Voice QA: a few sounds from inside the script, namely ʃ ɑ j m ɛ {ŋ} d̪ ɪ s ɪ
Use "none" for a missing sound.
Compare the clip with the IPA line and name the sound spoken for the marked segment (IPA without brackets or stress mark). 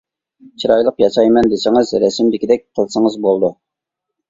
n